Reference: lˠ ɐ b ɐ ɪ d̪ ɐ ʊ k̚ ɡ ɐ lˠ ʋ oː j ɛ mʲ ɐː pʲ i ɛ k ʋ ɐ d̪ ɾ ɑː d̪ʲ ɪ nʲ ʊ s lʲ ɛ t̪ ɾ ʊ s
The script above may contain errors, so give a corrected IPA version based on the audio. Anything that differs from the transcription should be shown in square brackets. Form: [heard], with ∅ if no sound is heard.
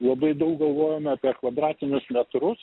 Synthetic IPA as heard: lˠ ɐ b ɐ ɪ d̪ ɐ ʊ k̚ ɡ ɐ lˠ ʋ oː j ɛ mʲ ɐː pʲ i ɛ k ʋ ɐ d̪ ɾ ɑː [t̪ʲ] ɪ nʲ ʊ s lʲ ɛ t̪ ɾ ʊ s